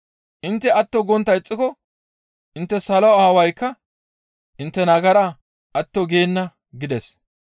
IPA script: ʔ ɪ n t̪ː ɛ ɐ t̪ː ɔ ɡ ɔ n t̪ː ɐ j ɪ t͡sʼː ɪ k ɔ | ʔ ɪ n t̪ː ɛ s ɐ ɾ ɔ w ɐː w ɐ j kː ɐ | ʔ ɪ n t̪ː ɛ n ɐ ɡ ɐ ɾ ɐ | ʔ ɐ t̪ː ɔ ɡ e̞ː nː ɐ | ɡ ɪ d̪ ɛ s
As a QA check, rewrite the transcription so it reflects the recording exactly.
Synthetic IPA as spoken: ʔ ɪ n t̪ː ɛ ɐ t̪ː ɔ ɡ ɔ n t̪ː ɐ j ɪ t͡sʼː ɪ k ɔ | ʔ ɪ n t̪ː ɛ s ɐ l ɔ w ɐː w ɐ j kː ɐ | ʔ ɪ n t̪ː ɛ n ɐ ɡ ɐ ɾ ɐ | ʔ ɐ t̪ː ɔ ɡ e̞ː nː ɐ | ɡ ɪ d̪ ɛ s

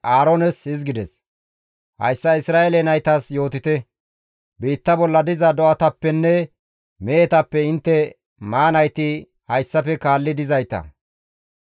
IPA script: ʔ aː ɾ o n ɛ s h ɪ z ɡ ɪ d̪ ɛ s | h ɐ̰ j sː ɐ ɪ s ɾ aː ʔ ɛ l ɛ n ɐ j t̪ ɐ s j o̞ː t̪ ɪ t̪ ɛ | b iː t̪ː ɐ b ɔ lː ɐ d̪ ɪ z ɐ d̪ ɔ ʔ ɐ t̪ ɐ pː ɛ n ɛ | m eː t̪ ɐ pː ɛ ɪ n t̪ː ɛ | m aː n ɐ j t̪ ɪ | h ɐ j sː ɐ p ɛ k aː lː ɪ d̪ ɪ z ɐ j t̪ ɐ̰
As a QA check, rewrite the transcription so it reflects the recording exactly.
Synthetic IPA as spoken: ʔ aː ɾ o n ɛ s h ɪ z ɡ ɪ d̪ ɛ s | h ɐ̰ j sː ɐ ɪ s ɾ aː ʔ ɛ l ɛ n ɐ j t̪ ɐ s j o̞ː t̪ ɪ t̪ ɛ | b iː t̪ː ɐ b ɔ lː ɐ d̪ ɪ z ɐ d̪ ɔ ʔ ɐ t̪ ɐ pː ɛ nː ɛ | m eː t̪ ɐ pː ɛ ɪ n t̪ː ɛ | m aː n ɐ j t̪ ɪ | h ɐ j sː ɐ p ɛ k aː lː ɪ d̪ ɪ z ɐ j t̪ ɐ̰

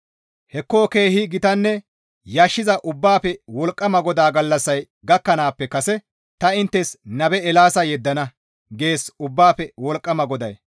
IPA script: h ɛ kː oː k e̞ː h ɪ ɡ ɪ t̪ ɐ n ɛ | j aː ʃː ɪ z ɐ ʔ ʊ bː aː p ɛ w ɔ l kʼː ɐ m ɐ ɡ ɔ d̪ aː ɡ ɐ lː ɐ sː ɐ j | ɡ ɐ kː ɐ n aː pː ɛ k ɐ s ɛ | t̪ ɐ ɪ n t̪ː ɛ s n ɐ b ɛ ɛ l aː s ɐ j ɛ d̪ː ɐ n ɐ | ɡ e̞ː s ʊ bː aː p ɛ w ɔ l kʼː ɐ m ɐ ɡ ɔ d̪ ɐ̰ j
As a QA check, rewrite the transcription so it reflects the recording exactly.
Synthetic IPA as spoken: h ɛ kː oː k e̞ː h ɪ ɡ ɪ t̪ ɐ nː ɛ | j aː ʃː ɪ z ɐ ʔ ʊ bː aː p ɛ w ɔ l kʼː ɐ m ɐ ɡ ɔ d̪ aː ɡ ɐ lː ɐ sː ɐ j | ɡ ɐ kː ɐ n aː pː ɛ k ɐ s ɛ | t̪ ɐ ɪ n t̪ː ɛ s n ɐ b ɛ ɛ l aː s ɐ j ɛ d̪ː ɐ n ɐ | ɡ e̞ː s ʊ bː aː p ɛ w ɔ l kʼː ɐ m ɐ ɡ ɔ d̪ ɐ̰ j

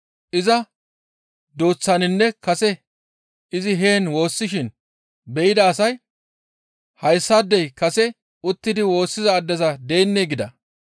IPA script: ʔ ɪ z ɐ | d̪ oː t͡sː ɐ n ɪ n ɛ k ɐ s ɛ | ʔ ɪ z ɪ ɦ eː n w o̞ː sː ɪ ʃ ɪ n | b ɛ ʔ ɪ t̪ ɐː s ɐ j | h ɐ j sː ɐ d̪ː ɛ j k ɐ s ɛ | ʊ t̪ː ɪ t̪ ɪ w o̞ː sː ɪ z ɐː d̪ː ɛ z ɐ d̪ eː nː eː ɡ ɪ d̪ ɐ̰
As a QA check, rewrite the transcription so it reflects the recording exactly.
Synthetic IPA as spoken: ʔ ɪ z ɐ | d̪ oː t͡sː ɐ n ɪ nː ɛ k ɐ s ɛ | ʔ ɪ z ɪ ɦ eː n w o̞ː sː ɪ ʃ ɪ n | b ɛ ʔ ɪ d̪ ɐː s ɐ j | h ɐ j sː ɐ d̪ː ɛ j k ɐ s ɛ | ʊ t̪ː ɪ d̪ ɪ w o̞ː sː ɪ z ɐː d̪ː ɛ z ɐ d̪ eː nː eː ɡ ɪ d̪ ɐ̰

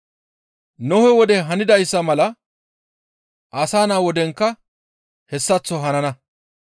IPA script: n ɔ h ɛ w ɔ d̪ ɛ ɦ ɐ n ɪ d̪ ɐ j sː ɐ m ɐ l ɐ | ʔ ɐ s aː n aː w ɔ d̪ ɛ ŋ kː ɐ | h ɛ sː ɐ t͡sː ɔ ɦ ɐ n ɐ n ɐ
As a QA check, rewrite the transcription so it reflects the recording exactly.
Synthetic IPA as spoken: n ɔ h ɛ w ɔ d̪ ɛ ɦ ɐ n ɪ d̪ ɐ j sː ɐ m ɐ l ɐ | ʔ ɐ s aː n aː w ɔ d̪ ɛ ŋ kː ɐ | h ɛ sː ɐ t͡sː ɔ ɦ ɐ n ɐ n ɐ

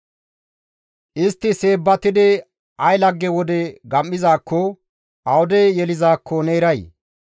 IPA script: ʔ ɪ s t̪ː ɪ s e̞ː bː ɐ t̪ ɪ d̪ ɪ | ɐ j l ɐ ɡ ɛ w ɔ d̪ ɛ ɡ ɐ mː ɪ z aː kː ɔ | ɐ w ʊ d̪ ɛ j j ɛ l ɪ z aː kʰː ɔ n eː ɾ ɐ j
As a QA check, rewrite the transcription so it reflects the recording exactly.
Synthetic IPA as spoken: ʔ ɪ s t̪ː ɪ s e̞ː bː ɐ t̪ ɪ d̪ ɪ | ɐ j l ɐ ɡː ɛ w ɔ d̪ ɛ ɡ ɐ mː ɪ z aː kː ɔ | ɐ w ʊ d̪ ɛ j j ɛ l ɪ z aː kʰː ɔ n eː ɾ ɐ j

